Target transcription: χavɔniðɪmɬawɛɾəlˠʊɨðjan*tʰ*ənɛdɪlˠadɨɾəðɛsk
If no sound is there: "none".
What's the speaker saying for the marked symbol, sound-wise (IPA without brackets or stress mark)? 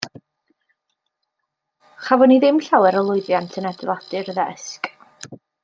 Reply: tʰ